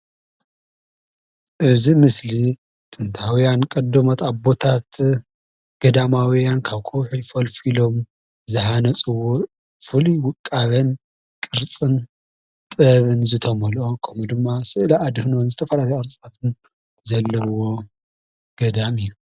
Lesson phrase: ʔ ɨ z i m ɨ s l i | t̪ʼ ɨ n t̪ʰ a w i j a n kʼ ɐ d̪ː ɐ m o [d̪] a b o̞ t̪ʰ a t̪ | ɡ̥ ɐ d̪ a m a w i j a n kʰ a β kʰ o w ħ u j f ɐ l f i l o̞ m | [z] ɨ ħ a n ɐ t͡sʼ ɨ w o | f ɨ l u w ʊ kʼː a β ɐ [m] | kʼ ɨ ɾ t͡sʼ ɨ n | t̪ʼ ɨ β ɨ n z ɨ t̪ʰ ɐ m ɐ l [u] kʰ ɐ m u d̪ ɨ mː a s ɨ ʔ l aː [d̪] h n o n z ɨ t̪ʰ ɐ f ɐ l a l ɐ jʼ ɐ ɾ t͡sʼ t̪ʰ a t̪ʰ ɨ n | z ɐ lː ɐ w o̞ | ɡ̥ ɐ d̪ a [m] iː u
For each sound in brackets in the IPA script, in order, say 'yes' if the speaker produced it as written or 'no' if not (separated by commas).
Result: no, yes, no, no, yes, yes